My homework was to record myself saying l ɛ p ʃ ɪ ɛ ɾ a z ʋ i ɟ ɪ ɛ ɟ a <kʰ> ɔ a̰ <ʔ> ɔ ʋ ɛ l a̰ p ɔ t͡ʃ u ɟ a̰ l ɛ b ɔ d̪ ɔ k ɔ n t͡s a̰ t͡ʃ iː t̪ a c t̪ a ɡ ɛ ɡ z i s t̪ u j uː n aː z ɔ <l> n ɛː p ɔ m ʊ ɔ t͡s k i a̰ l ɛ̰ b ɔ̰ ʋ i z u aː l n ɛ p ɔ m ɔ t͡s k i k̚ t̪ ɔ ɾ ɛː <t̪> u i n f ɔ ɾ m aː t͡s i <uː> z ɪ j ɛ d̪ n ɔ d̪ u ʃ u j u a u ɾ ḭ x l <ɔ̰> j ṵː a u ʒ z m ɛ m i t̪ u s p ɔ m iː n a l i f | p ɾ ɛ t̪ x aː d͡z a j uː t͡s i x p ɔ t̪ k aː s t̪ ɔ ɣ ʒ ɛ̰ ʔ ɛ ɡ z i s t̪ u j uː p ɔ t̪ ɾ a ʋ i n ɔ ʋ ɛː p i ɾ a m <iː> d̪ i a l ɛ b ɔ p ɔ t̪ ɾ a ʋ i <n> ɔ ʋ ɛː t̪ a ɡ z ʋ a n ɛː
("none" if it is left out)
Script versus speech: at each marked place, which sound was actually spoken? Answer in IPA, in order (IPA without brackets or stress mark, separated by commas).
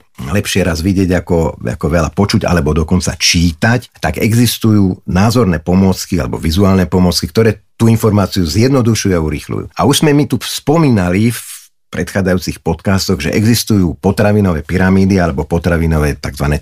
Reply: k, k, ɾ, t̪, u, ṵ, iː, n